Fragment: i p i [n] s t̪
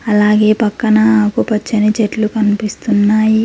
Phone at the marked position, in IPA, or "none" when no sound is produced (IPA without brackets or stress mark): none